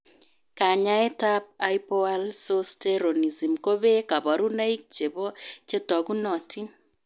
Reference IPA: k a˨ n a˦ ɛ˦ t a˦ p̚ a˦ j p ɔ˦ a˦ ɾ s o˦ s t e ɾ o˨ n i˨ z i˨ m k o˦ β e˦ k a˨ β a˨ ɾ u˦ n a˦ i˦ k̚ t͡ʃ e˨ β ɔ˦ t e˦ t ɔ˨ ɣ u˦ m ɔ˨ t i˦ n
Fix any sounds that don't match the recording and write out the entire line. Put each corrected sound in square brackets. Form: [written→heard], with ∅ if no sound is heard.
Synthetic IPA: k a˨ [n→ɲ] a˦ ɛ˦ t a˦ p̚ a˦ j p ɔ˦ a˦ [ɾ→l] s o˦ s t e ɾ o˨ n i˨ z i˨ m k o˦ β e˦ k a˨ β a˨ ɾ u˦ n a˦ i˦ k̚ t͡ʃ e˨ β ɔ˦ [t→t͡ʃ] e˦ t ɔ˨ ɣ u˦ [m→n] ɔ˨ t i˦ n